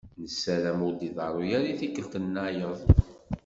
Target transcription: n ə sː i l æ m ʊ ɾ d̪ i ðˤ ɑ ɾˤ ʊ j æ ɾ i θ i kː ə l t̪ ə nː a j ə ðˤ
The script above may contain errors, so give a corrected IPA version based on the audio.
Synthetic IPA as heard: n ə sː æ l æ m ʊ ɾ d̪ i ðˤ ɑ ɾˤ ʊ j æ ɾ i θ i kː ə l t̪ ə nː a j ə ðˤ